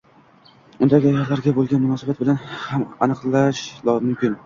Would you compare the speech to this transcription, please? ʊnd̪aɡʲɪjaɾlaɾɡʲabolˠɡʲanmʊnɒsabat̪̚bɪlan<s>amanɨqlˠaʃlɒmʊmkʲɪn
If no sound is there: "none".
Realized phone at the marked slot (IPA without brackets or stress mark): h